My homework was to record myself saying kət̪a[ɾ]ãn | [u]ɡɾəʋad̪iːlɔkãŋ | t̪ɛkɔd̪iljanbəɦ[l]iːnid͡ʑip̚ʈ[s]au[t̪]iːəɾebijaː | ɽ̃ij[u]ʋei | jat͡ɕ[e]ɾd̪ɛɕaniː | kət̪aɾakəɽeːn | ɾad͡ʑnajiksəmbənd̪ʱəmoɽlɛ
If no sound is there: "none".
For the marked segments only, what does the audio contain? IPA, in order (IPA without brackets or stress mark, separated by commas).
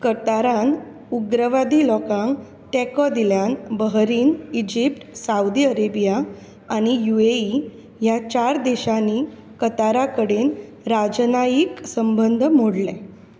ɾ, u, ɾ, s, d̪, u, a